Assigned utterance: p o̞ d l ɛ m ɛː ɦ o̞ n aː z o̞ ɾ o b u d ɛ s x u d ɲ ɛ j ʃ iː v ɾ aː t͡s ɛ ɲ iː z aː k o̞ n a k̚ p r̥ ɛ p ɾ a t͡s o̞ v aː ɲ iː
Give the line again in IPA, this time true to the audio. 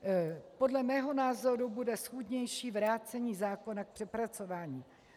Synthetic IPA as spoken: p o̞ d l ɛ m ɛː ɦ o̞ n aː z o̞ ɾ u b u d ɛ s x u d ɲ ɛ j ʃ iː v ɾ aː t͡s ɛ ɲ iː z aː k o̞ n a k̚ p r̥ ɛ p ɾ a t͡s o̞ v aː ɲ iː